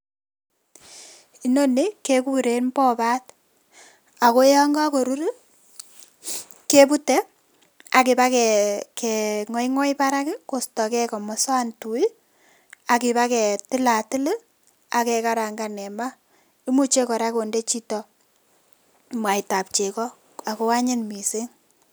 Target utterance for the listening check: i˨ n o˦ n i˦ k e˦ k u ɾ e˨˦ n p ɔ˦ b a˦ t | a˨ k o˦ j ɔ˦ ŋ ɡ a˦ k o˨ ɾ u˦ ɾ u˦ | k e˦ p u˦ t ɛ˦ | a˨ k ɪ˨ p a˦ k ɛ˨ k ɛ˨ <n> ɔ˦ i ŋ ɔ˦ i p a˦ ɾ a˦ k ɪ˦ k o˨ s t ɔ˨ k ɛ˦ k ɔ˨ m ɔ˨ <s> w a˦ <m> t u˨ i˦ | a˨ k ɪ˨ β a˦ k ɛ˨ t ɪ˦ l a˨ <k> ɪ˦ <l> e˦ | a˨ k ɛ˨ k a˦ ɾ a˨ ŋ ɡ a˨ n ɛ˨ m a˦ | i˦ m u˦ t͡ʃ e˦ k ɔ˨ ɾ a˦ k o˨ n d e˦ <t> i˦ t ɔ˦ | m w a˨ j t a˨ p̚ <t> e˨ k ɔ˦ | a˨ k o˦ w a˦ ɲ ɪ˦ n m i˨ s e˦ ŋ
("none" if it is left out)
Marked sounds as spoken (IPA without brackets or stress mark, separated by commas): ŋ, s, n, t, l, t͡ʃ, t͡ʃ